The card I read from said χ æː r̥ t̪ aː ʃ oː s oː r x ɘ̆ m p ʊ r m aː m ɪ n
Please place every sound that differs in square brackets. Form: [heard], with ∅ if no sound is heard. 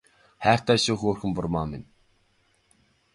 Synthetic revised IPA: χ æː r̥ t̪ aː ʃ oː [x] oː r x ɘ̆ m p ʊ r m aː m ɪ n